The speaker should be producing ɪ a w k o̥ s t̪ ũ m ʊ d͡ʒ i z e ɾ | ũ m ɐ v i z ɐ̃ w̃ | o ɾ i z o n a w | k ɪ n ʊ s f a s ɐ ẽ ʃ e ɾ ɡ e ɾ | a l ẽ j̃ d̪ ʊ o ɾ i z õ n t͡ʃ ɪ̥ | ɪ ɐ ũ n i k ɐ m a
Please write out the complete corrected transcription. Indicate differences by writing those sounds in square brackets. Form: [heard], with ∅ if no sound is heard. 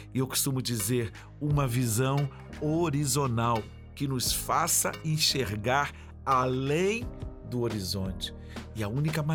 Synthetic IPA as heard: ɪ [e] w k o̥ s t̪ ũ m ʊ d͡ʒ i z e ɾ | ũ m ɐ v i z ɐ̃ w̃ | o ɾ i z o n a w | k ɪ n ʊ s f a s ɐ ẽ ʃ e ɾ ɡ [a] ɾ | a l ẽ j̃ d̪ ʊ o ɾ i z õ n t͡ʃ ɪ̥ | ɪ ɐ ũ n i k ɐ m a